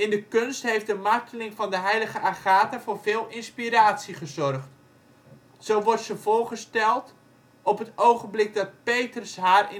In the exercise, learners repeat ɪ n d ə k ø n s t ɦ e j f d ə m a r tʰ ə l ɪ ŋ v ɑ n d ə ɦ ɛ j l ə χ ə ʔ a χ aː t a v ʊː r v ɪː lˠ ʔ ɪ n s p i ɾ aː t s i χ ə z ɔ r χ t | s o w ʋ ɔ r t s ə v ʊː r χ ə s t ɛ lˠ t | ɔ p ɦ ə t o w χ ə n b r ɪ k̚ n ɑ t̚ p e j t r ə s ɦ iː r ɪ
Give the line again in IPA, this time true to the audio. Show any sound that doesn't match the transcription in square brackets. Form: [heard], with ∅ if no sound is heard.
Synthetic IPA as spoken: ɪ n d ə k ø n s t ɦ e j f d ə m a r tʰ ə l ɪ ŋ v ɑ n d ə ɦ ɛ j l ə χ ə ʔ a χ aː t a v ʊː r v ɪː lˠ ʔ ɪ n s p i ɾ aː t s i χ ə z ɔ r χ t | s o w ʋ ɔ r t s ə v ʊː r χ ə s t ɛ lˠ t | ɔ p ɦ ə t o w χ ə n b [l] ɪ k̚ [d] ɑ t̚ p e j t r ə s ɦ [aː] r ɪ